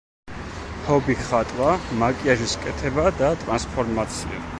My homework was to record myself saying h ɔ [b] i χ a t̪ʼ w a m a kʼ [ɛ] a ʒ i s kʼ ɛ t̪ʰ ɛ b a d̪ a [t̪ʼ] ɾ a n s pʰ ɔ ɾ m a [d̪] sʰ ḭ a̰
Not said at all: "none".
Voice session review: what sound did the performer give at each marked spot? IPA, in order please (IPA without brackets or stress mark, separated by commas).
b, i, t̪ʼ, t̪